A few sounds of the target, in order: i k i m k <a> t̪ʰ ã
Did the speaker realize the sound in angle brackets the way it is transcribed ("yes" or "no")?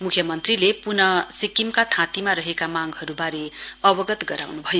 yes